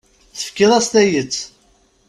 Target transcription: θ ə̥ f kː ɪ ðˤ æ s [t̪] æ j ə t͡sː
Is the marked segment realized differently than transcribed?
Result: no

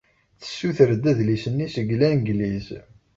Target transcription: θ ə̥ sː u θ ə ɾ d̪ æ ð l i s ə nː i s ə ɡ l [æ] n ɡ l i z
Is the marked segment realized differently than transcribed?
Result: no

